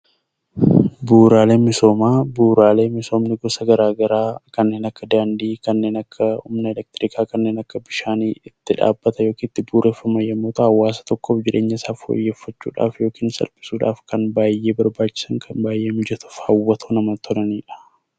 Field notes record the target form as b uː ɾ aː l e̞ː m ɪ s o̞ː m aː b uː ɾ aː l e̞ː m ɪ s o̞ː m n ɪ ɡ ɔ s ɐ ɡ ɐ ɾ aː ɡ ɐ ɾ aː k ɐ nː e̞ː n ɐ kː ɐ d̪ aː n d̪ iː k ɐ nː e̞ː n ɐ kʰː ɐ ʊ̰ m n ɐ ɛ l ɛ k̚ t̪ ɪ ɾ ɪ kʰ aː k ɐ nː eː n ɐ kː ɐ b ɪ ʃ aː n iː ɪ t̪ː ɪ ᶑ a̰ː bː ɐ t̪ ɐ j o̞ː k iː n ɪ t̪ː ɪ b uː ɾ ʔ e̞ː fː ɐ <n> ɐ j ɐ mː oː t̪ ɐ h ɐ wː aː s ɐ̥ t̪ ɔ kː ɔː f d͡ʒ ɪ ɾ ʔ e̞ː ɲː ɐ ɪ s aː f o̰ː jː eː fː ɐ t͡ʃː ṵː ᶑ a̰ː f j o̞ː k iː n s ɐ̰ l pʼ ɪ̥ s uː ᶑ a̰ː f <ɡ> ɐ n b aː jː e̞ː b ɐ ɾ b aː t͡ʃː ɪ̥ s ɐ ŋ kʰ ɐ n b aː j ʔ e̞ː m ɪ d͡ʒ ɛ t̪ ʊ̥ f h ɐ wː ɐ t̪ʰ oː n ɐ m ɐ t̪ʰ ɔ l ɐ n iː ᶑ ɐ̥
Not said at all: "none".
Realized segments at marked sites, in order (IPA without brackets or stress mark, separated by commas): m, k